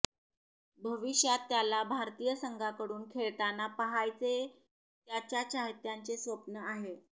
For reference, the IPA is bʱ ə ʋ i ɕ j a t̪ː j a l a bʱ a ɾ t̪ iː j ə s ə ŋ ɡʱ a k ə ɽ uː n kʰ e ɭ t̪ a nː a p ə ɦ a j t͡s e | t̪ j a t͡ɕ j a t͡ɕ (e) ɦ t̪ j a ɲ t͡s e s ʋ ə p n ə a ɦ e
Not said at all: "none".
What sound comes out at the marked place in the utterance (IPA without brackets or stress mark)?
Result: a